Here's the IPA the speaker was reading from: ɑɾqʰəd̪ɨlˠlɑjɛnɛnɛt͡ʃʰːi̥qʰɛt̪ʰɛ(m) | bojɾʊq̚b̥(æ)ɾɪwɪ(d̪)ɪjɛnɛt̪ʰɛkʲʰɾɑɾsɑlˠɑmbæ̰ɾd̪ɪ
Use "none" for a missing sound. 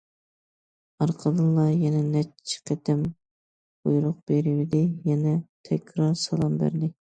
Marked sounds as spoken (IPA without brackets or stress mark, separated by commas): m, e, d̪